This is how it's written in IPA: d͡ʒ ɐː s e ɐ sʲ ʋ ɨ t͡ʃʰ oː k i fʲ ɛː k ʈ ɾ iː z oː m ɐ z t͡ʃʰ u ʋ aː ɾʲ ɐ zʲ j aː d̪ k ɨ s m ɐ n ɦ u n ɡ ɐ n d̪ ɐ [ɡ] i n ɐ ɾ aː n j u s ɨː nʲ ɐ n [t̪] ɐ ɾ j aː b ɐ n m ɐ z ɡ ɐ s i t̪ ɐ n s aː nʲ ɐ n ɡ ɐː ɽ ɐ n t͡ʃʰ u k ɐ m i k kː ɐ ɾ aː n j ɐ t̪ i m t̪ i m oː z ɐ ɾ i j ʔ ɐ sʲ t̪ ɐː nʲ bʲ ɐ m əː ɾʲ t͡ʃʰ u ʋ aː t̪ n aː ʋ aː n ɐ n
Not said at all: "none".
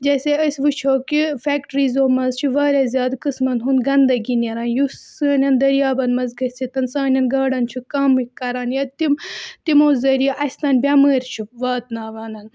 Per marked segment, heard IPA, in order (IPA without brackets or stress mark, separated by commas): ɡ, d̪